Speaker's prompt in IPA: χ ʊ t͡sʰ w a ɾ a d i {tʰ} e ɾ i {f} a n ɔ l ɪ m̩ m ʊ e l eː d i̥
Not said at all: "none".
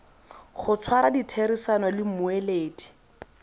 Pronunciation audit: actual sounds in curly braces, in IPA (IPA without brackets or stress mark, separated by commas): tʰ, s